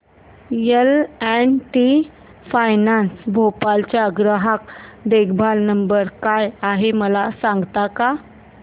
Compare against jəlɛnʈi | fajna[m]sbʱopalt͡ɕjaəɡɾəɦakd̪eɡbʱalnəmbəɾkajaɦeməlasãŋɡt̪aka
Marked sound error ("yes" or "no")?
yes